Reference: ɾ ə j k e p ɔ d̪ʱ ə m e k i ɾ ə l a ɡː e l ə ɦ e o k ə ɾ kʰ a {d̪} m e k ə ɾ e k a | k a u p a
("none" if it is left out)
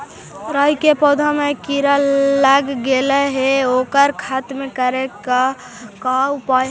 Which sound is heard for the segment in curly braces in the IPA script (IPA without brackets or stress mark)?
t̪